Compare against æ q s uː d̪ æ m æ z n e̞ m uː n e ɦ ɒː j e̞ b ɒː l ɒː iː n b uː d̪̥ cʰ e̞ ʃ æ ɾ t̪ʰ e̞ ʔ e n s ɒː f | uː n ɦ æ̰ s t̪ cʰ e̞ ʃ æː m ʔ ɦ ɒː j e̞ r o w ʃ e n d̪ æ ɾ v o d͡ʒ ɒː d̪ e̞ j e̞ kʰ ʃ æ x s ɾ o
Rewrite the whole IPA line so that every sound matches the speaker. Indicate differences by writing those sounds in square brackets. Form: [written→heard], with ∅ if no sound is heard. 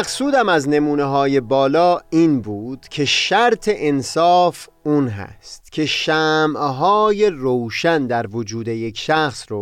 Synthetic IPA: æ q s uː d̪ æ m æ z n e̞ m uː n e ɦ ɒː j e̞ b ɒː l ɒː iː n b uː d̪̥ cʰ e̞ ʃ æ ɾ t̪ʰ e̞ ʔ e n s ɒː f | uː n ɦ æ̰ s t̪ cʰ e̞ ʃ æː m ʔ ɦ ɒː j e̞ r o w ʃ [e→æ] n d̪ æ ɾ v o d͡ʒ [ɒː→uː] d̪ e̞ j e̞ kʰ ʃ æ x s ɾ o